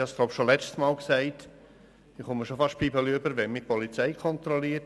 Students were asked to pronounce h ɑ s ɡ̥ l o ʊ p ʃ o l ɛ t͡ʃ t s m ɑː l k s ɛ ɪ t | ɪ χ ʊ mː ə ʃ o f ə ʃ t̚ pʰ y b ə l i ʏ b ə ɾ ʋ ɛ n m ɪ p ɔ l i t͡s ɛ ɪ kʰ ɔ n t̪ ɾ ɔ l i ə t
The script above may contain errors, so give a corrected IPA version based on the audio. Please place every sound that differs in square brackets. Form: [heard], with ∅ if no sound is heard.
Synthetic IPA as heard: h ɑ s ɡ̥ l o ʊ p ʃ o l ɛ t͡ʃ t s m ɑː l k s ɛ ɪ t | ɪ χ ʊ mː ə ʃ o f [ɑ] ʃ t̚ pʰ [i] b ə l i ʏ b ə ɾ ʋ ɛ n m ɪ p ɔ l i t͡s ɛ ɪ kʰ ɔ n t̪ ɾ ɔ l i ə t